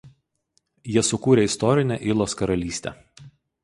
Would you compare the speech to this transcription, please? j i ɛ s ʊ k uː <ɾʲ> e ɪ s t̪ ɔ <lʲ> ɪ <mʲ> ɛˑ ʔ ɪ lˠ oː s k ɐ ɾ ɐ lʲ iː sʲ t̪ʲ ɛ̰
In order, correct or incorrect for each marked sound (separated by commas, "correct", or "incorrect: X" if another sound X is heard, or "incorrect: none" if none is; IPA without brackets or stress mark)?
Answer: correct, incorrect: ɾʲ, incorrect: nʲ